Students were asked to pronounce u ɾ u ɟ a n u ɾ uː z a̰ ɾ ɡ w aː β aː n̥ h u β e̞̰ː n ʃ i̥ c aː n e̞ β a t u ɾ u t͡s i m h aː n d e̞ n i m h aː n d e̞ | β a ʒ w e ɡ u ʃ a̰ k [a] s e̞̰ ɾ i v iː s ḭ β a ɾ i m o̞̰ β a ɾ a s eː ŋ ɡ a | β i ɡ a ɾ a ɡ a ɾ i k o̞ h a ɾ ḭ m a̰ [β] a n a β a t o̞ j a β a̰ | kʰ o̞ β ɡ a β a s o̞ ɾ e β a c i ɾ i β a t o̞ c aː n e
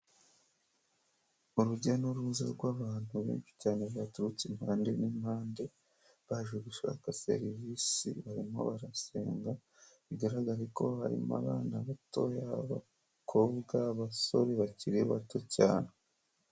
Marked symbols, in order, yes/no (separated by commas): yes, yes